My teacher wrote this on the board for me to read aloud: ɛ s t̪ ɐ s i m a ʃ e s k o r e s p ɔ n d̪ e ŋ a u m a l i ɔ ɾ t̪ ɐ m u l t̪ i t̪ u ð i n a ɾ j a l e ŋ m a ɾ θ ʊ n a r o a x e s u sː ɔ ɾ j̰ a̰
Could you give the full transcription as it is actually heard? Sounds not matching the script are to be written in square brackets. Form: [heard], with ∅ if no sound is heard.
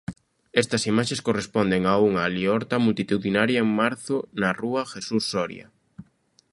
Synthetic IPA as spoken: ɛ s t̪ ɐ s i m a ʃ e s k o r e s p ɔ n d̪ e ŋ a u [ŋ] a l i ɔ ɾ t̪ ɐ m u l t̪ i t̪ u ð i n a ɾ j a [∅] e ŋ m a ɾ θ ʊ n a r [u] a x e s u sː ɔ ɾ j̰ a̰